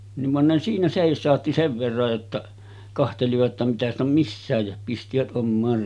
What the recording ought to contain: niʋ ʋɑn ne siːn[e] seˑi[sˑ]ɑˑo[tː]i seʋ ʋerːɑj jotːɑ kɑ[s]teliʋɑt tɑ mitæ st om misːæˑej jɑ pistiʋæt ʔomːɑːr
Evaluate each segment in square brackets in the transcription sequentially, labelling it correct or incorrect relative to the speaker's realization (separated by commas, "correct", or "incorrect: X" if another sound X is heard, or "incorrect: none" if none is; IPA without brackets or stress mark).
incorrect: æ, correct, correct, incorrect: h